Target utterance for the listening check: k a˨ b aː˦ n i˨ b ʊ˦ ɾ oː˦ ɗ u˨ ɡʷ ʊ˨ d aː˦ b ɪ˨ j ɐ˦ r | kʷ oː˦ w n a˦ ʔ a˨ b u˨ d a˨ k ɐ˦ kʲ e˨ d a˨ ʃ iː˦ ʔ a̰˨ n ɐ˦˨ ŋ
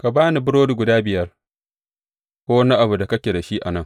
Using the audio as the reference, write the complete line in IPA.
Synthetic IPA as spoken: k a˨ b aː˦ n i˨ b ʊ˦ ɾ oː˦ d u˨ ɡʷ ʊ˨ d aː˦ b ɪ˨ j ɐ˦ r | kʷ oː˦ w n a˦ ʔ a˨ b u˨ d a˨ k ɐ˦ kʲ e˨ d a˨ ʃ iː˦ ʔ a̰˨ n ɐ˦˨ ŋ

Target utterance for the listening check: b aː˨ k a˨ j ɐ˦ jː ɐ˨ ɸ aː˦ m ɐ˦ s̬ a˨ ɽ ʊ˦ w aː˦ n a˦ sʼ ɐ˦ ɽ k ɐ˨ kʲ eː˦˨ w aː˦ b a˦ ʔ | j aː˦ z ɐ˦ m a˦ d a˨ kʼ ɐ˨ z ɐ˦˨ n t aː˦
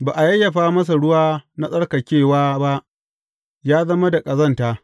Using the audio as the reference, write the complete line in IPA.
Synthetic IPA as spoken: b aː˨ ʔ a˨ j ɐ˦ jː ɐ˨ ɸ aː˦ m ɐ˦ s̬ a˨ ɽ ʊ˦ w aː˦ n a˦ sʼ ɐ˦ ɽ k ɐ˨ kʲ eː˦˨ w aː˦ b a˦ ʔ | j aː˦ z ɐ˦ m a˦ d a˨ kʼ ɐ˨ z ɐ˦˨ n t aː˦

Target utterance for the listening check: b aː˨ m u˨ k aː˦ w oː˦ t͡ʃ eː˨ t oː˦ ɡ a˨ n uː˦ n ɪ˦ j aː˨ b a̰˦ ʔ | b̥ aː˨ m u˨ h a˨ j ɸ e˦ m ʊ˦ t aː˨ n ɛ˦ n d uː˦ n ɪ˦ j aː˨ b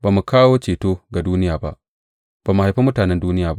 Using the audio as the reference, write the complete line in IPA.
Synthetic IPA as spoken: b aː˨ m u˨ k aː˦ w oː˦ t͡ʃ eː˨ t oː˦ ɡ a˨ d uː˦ n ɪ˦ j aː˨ b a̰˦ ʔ | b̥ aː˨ m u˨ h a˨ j ɸ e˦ m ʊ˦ t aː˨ n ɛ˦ n d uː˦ n ɪ˦ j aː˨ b

